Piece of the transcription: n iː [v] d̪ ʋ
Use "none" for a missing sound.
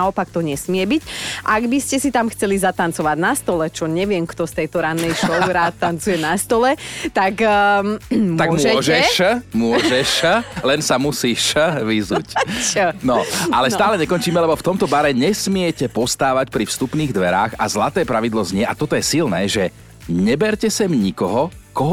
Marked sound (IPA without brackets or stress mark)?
ɣ